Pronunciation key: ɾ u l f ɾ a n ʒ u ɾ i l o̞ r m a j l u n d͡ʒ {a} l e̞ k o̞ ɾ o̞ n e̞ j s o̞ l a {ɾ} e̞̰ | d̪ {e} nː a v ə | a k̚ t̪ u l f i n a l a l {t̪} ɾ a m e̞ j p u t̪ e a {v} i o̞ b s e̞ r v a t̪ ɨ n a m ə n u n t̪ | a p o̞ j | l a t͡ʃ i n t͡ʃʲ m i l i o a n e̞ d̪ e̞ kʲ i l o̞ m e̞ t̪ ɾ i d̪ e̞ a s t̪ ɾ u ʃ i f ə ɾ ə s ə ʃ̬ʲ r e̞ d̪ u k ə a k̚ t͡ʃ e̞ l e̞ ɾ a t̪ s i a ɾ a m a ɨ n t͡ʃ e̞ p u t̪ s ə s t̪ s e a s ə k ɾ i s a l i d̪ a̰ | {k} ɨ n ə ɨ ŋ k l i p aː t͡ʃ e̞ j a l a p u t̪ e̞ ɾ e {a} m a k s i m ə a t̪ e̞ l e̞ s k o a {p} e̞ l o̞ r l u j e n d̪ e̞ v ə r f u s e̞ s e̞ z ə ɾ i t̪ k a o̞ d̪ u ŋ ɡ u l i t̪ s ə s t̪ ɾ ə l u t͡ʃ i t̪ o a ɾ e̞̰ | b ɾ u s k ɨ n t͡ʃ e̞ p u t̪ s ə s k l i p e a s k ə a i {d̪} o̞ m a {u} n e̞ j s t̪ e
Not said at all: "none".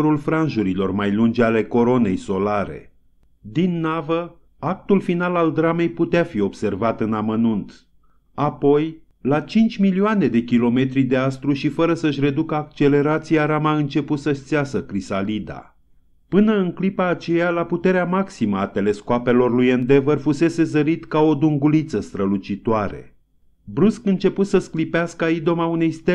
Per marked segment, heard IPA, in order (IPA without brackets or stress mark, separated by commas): a, ɾ, i, d̪, f, p, a, p, d̪, u